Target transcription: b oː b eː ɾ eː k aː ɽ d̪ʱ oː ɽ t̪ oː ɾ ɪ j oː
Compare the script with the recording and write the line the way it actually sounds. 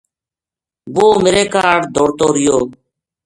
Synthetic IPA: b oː m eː ɾ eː k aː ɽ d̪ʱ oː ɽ t̪ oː ɾ ɪ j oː